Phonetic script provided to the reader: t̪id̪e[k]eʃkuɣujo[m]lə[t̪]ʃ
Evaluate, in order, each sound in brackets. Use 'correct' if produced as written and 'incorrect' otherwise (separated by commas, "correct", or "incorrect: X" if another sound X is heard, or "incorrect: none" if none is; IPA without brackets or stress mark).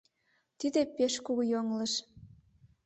incorrect: p, incorrect: ŋ, incorrect: none